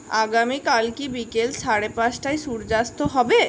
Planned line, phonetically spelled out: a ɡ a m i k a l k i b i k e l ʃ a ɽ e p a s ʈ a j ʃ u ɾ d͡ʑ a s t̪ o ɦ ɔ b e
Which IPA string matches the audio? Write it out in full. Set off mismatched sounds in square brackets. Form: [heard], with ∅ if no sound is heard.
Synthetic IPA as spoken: a ɡ a m i k a l k i b i k e l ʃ a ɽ e p a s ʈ a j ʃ u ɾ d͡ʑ a s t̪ o ɦ ɔ b e